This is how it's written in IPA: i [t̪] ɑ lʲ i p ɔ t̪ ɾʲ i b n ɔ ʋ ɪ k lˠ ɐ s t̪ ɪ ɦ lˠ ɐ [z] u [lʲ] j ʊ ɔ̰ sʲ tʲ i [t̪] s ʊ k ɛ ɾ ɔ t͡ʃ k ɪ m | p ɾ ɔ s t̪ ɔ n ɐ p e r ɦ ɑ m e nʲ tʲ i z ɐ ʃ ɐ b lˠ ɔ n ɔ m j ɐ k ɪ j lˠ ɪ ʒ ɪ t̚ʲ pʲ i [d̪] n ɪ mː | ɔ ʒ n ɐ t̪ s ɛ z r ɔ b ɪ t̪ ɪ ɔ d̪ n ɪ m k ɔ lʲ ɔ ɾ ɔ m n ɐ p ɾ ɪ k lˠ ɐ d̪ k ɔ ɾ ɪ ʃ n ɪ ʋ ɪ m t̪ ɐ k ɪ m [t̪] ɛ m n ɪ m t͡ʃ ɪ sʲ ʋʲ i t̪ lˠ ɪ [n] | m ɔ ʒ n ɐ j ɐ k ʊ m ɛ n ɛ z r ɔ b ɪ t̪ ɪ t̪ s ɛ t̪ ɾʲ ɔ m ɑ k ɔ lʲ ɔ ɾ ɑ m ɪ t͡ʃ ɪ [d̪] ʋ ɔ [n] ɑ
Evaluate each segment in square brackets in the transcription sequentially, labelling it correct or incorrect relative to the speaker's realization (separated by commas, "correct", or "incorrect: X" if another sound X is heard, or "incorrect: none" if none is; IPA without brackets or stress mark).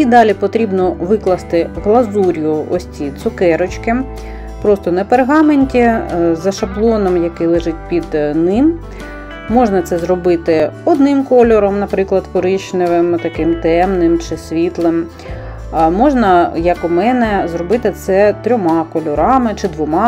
incorrect: d̪, correct, incorrect: ɾʲ, correct, correct, correct, incorrect: m, correct, incorrect: m